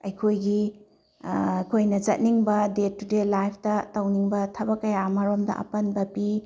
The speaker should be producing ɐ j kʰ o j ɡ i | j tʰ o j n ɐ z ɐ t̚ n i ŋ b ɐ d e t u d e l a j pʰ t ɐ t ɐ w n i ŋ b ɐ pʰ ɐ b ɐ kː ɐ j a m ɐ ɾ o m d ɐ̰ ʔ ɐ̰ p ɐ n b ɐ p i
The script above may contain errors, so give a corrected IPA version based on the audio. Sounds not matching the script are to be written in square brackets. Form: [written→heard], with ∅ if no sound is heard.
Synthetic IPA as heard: ɐ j kʰ o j ɡ i | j [tʰ→kʰ] o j n ɐ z ɐ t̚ n i ŋ b ɐ d e t u d e l a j pʰ t ɐ t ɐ w n i ŋ b ɐ [pʰ→tʰ] ɐ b ɐ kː ɐ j a m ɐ ɾ o m d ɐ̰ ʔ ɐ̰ p ɐ n b ɐ p i